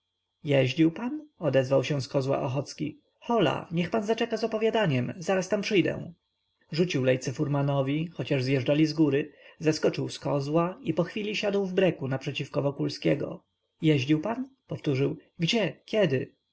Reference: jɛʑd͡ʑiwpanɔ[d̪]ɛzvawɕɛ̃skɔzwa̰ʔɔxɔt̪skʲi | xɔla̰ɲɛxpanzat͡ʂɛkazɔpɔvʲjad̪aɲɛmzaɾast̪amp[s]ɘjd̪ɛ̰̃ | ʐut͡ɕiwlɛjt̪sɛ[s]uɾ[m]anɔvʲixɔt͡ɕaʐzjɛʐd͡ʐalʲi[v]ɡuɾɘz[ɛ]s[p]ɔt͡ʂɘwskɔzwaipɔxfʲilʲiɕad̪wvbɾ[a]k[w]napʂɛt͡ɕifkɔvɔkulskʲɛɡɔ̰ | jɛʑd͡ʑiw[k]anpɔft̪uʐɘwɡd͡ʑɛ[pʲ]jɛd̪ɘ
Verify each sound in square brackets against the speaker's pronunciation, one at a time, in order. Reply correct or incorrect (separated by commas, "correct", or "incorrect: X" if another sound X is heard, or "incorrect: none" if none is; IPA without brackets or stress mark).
correct, incorrect: ʂ, incorrect: f, correct, incorrect: z, incorrect: a, incorrect: k, incorrect: ɛ, incorrect: u, incorrect: p, incorrect: kʲ